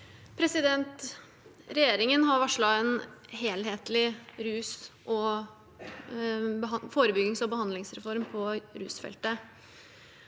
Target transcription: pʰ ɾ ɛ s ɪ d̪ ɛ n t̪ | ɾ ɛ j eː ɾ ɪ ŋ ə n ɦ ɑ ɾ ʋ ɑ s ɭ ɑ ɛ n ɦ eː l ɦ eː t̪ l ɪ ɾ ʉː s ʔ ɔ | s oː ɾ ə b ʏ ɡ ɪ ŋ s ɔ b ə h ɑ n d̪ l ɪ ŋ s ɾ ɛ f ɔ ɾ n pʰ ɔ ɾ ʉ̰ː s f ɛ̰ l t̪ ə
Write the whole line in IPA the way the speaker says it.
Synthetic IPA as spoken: pʰ ɾ ɛ s ɪ d̪ ɛ n t̪ | ɾ ɛ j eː ɾ ɪ ŋ ə n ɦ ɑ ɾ ʋ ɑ ʂ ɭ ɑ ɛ n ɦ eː l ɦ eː t̪ l ɪ ɾ ʉː s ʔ ɔ | f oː ɾ ə b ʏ ɡ ɪ ŋ s ɔ b ə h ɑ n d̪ l ɪ ŋ s ɾ ɛ f ɔ ɾ m pʰ ɔ ɾ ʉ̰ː s f ɛ̰ l t̪ ə

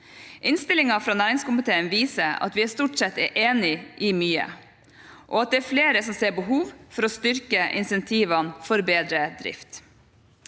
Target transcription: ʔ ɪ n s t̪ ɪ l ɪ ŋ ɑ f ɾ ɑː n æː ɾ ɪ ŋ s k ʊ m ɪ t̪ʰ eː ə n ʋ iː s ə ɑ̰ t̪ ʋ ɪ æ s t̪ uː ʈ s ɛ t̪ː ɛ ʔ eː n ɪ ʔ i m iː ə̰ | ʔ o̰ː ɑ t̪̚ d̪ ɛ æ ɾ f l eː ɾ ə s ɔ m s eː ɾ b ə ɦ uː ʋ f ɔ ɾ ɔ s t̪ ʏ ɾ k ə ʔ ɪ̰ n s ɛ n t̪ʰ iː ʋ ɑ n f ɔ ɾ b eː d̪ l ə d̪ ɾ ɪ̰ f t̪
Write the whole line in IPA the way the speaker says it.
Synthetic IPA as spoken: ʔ ɪ n s t̪ ɪ l ɪ ŋ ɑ f ɾ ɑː n æː ɾ ɪ ŋ s k ʊ m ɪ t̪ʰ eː ə n ʋ iː s ə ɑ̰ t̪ ʋ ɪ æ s t̪ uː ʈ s ɛ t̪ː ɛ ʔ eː n ɪ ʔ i m yː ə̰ | ʔ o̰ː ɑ t̪̚ d̪ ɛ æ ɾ f l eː ɾ ə s ɔ m s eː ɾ b ə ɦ uː ʋ f ɔ ɾ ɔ s t̪ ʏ ɾ k ə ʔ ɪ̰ n s ɛ n t̪ʰ iː ʋ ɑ n f ɔ ɾ b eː d̪ ɾ ə d̪ ɾ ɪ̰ f t̪

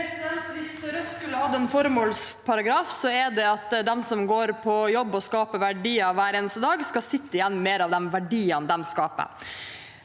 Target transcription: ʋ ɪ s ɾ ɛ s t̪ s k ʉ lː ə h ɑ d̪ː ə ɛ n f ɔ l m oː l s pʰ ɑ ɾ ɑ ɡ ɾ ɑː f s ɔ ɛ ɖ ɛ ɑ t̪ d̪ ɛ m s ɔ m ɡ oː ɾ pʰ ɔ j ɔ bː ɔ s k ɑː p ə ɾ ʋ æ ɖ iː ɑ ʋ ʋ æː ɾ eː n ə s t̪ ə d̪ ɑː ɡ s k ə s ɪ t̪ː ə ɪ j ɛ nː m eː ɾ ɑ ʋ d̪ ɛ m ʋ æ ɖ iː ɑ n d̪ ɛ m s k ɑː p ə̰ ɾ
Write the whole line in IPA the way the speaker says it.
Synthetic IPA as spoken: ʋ ɪ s ɾ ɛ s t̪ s k ʉ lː ə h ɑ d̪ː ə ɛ n f ɔ ɾ m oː l s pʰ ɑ ɾ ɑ ɡ ɾ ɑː f s ɔ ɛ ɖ ɛ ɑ t̪ d̪ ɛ m s ɔ m ɡ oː ɾ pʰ ɔ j ɔ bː ɔ s k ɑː p ə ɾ ʋ æ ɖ iː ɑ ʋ ʋ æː ɾ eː n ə s t̪ ə d̪ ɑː ɡ s k ɑ s ɪ t̪ː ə ɪ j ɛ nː m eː ɾ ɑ ʋ d̪ ɛ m ʋ æ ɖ iː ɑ n d̪ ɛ m s k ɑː p ə̰ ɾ

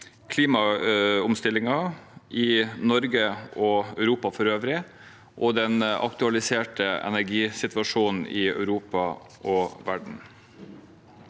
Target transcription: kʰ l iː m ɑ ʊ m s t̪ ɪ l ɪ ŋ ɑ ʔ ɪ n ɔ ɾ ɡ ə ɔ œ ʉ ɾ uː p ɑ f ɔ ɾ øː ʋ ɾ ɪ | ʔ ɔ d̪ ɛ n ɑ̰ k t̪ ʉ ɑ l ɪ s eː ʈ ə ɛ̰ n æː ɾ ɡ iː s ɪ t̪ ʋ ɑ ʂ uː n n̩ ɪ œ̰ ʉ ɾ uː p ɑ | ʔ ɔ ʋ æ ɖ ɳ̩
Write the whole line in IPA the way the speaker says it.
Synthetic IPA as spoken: kʰ l iː m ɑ ʊ m s t̪ ɪ l ɪ ŋ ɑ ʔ ɪ n ɔ ɾ ɡ ə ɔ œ ʉ ɾ uː p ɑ f ɔ ɾ øː ʋ ɾ ɪ | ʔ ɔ d̪ ɛ n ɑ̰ k t̪ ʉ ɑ l ɪ s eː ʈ ə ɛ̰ n æ ɾ ɡ iː s ɪ t̪ ʋ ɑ ʂ uː n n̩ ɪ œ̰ ʉ ɾ uː p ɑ | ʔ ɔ ʋ æ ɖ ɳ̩

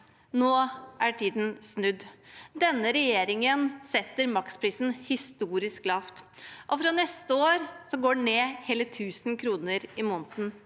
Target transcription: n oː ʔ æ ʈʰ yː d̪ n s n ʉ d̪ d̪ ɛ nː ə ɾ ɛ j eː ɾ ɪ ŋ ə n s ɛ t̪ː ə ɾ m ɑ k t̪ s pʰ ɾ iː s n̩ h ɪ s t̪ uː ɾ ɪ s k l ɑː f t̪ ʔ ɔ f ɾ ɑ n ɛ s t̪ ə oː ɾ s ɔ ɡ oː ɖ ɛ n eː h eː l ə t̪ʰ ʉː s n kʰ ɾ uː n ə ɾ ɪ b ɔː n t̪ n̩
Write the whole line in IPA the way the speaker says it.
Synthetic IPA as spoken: n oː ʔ æ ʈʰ iː d̪ n s n ʉ d̪ d̪ ɛ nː ə ɾ ɛ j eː ɾ ɪ ŋ ə n s ɛ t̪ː ə ɾ m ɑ k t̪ s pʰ ɾ iː s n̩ h ɪ s t̪ uː ɾ ɪ s k l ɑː f t̪ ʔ ɔ f ɾ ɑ n ɛ s t̪ ə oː ɾ s ɔ ɡ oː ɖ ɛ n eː h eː l ə t̪ʰ ʉː s n kʰ ɾ uː n ə ɾ ɪ m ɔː n t̪ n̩

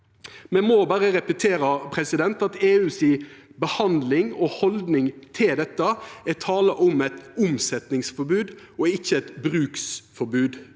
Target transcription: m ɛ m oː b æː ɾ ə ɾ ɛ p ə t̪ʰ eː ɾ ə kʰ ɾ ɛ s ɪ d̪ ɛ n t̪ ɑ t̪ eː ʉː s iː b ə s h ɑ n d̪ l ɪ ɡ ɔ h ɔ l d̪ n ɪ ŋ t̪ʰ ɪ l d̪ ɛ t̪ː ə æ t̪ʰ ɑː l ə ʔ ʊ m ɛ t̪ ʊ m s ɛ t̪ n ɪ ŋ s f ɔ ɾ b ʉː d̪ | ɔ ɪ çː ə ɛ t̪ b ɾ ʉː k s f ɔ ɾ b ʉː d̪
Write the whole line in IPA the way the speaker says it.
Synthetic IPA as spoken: m ɛ m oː b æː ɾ ə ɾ ɛ p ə t̪ʰ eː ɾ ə pʰ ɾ ɛ s ɪ d̪ ɛ n t̪ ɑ t̪ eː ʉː s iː b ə h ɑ n d̪ l ɪ ŋ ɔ h ɔ l d̪ n ɪ ŋ t̪ʰ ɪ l d̪ ɛ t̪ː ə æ t̪ʰ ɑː l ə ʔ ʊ m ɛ t̪ ʊ m s ɛ t̪ n ɪ ŋ s f ɔ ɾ b ʉː d̪ | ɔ ɪ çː ə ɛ t̪ b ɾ ʉː k s f ɔ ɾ b ʉː d̪

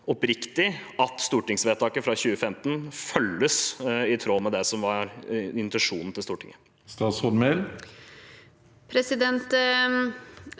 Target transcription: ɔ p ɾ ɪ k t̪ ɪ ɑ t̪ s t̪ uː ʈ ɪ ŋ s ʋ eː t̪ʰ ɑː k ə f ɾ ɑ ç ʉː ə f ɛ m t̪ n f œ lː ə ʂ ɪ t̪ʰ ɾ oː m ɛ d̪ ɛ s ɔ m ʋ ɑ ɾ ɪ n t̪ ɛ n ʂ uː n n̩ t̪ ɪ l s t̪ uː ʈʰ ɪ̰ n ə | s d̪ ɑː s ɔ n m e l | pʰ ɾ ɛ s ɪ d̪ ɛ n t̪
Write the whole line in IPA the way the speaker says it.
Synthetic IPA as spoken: ɔ p ɾ ɪ k t̪ ɪ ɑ t̪ s t̪ uː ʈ ɪ ŋ s ʋ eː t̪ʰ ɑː k ə f ɾ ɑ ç ʉː ə f ɛ m t̪ n f œ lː ə s ɪ t̪ʰ ɾ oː m ɛ d̪ ɛ s ɔ m ʋ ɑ ɾ ɪ n t̪ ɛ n ʂ uː n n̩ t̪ ɪ l s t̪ uː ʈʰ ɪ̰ ŋ ə | s t̪ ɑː s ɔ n m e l | pʰ ɾ ɛ s ɪ d̪ ɛ n t̪

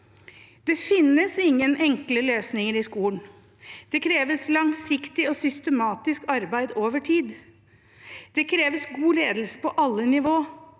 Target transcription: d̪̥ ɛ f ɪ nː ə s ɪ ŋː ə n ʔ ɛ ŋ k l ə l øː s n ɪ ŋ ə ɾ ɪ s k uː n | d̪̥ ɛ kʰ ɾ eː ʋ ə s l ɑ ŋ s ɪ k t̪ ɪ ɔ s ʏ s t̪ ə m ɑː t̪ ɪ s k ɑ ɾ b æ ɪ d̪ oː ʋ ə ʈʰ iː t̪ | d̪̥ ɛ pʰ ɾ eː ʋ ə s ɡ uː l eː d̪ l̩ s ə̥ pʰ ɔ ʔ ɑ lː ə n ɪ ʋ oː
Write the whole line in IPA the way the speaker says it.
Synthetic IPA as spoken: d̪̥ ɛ f ɪ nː ə s ɪ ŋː ə n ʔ ɛ ŋ k l ə l øː s n ɪ ŋ ə ɾ ɪ s k uː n | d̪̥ ɛ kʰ ɾ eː ʋ ə s l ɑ ŋ s ɪ k t̪ ɪ ɔ s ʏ s t̪ ə m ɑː t̪ ɪ s k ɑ ɾ b æ ɪ d̪ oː ʋ ə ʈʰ iː d̪ | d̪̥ ɛ kʰ ɾ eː ʋ ə s ɡ uː l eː d̪ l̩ s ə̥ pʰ ɔ ʔ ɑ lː ə n ɪ ʋ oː

